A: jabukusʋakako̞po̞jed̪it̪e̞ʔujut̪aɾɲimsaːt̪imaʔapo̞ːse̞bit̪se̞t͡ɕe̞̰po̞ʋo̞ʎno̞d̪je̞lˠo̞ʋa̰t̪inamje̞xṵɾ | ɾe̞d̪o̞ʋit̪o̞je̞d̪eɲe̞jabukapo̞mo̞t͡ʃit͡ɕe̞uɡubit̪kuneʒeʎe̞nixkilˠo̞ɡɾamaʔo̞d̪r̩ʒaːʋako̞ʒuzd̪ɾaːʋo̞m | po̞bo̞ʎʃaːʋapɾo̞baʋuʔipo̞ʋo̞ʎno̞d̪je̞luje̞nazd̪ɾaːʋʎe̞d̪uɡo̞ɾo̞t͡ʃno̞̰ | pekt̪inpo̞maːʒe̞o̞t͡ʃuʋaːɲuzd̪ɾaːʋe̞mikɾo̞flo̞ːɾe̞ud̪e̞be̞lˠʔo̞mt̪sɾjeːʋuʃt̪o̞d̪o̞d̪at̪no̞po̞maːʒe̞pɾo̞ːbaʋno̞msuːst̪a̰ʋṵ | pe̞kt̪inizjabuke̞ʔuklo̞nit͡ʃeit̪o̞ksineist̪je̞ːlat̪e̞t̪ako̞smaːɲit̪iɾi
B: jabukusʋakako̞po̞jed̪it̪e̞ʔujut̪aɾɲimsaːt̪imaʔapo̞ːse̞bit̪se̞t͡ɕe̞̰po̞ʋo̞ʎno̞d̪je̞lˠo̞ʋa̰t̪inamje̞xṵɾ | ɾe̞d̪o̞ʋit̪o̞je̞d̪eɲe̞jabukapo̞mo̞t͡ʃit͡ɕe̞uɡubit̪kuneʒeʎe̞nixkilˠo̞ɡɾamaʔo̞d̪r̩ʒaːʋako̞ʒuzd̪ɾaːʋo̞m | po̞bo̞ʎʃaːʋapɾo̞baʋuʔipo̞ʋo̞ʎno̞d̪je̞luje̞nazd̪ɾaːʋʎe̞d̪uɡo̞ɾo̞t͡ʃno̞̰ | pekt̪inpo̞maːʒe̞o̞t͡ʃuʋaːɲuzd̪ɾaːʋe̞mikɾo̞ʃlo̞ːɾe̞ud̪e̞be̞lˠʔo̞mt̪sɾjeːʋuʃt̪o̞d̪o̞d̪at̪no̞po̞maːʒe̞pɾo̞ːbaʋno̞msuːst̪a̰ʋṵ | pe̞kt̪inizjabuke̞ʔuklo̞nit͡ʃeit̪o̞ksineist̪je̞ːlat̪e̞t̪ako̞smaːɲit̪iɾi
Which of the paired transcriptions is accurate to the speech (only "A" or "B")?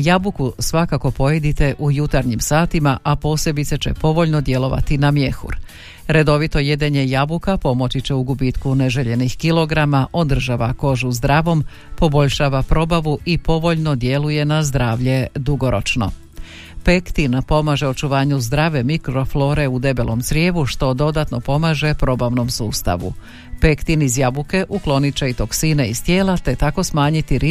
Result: A